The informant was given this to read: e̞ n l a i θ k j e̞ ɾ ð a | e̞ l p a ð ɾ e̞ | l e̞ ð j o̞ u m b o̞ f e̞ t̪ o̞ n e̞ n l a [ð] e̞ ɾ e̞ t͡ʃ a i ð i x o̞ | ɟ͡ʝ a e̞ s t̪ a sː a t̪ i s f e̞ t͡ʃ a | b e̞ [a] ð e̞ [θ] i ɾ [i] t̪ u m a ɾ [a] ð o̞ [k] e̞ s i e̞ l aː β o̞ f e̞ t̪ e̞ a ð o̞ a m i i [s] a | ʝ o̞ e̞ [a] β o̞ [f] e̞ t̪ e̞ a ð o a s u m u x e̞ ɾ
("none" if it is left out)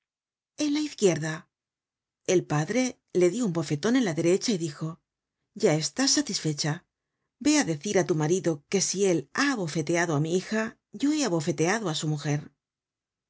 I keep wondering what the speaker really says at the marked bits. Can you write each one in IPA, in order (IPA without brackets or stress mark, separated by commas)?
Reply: ð, a, θ, a, i, k, x, a, f